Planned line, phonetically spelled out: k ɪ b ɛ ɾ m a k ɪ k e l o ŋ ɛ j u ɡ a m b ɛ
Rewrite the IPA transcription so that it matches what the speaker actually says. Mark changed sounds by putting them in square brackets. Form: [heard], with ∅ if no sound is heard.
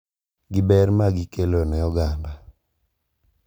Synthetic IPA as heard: [ɡ] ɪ b ɛ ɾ m a [ɡ] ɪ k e l o [n] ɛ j [ɔ] ɡ a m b [a]